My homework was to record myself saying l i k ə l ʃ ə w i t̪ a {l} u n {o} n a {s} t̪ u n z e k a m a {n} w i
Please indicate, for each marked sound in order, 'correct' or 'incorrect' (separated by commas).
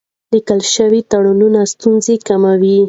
incorrect, incorrect, correct, incorrect